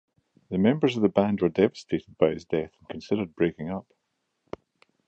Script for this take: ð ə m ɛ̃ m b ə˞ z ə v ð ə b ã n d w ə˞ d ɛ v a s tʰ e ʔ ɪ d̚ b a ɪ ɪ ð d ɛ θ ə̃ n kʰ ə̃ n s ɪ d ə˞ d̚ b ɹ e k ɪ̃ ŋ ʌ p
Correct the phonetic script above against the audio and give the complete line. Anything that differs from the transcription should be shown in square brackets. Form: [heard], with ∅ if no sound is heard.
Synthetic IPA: ð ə m ɛ̃ m b ə˞ z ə v ð ə b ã n d w ə˞ d ɛ v [ə] s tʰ e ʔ ɪ d̚ b a ɪ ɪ [z] d ɛ θ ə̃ n kʰ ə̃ n s ɪ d ə˞ d̚ b ɹ e k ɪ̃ ŋ ʌ p